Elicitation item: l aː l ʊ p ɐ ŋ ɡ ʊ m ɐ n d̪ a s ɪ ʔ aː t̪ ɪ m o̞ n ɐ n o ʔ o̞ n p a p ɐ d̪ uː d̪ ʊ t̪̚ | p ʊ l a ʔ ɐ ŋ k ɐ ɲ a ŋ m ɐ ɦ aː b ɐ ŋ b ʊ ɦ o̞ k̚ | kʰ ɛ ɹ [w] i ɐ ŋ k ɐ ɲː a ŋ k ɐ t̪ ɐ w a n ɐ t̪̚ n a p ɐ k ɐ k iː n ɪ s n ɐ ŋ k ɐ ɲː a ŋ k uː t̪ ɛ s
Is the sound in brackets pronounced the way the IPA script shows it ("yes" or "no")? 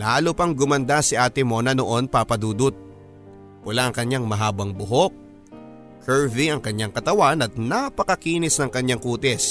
no